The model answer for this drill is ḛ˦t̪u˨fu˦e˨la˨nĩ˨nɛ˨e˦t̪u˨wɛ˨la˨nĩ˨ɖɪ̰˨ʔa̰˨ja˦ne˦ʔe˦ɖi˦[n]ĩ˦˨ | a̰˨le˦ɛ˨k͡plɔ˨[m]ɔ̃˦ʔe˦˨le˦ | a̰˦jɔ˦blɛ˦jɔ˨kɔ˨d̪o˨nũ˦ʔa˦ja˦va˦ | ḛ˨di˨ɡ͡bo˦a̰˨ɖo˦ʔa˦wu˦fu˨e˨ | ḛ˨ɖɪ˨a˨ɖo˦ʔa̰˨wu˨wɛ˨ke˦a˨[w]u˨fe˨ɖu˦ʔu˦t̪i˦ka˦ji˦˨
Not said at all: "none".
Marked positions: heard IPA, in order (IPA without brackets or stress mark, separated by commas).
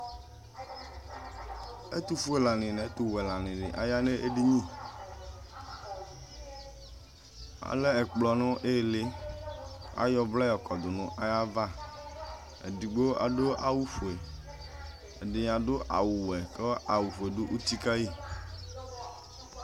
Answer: ɲ, n, w